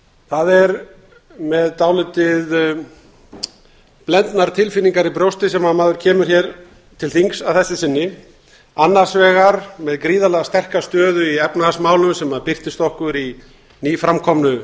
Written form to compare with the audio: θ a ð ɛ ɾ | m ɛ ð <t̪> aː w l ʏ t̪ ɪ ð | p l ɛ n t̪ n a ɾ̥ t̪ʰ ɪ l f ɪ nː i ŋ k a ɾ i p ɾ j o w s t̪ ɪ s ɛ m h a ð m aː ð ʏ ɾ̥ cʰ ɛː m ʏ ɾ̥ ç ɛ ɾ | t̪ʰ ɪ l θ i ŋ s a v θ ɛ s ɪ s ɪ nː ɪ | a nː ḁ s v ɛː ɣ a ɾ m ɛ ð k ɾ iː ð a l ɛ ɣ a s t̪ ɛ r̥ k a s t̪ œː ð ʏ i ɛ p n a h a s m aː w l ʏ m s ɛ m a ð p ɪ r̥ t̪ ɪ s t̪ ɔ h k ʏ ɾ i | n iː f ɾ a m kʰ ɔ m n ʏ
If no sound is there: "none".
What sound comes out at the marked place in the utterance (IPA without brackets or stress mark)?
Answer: t̪